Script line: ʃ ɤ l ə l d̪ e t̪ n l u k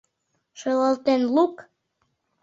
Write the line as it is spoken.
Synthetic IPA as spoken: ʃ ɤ l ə l t̪ e n l u k